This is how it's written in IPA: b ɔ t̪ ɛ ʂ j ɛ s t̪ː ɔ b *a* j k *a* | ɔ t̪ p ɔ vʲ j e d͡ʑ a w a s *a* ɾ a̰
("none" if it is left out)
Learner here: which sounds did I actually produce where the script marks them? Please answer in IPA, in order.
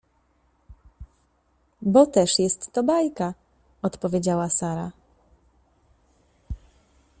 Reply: a, a, a

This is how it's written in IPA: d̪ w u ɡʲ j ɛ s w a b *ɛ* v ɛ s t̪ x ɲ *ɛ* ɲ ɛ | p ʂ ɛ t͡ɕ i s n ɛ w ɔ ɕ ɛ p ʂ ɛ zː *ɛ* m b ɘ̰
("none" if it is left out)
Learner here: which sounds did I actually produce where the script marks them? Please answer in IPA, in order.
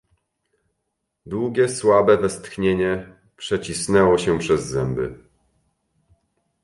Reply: ɛ, e, ɛ

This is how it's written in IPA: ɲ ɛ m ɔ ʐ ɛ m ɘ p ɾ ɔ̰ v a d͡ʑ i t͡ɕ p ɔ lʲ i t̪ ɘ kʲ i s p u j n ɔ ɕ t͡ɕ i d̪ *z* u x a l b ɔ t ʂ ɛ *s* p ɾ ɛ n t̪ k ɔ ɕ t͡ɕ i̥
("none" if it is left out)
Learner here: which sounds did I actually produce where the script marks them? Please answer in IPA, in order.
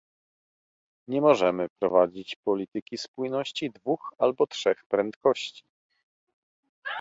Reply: v, x

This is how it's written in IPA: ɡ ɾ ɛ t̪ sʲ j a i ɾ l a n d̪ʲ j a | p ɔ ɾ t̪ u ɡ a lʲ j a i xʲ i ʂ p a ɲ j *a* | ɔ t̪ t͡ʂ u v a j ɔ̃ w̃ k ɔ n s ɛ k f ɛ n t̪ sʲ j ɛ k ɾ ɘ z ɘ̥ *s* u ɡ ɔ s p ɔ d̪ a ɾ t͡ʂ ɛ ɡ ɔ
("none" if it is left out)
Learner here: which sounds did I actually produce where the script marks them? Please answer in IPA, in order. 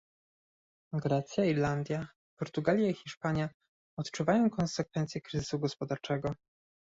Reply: a, s

